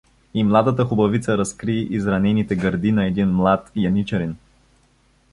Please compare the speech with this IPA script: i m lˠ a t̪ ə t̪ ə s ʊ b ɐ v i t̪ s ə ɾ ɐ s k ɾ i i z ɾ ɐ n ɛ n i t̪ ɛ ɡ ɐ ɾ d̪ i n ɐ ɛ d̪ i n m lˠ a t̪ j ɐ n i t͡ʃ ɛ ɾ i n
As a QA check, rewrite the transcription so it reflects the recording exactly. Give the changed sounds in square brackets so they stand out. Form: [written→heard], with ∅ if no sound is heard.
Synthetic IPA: i m lˠ a [t̪→d̪] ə t̪ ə [s→x] ʊ b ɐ v i t̪ s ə ɾ ɐ s k ɾ i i z ɾ ɐ n ɛ n i t̪ ɛ ɡ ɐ ɾ d̪ i n ɐ ɛ d̪ i n m lˠ a t̪ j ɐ n i t͡ʃ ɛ ɾ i n